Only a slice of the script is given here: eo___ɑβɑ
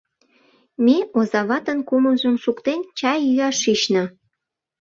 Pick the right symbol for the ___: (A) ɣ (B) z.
B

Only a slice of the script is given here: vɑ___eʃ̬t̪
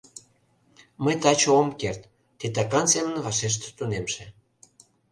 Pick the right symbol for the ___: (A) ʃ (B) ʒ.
A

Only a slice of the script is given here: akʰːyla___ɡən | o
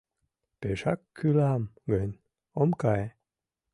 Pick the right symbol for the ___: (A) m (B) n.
A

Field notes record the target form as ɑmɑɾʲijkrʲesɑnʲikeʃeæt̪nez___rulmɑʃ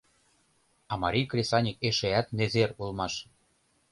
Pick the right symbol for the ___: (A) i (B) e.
B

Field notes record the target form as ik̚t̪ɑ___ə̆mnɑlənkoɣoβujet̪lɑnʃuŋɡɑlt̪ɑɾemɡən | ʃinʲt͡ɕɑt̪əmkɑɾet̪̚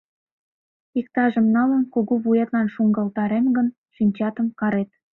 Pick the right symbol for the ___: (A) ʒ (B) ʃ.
A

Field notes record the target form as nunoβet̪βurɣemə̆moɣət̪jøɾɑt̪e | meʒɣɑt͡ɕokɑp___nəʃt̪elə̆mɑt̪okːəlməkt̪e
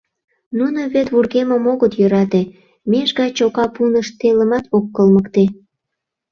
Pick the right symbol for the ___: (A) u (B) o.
A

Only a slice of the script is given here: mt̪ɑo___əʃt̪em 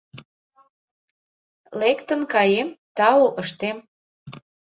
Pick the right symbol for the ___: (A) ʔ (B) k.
A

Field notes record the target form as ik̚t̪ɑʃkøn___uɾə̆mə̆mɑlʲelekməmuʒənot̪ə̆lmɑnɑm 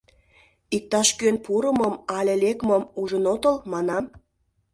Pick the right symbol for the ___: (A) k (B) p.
B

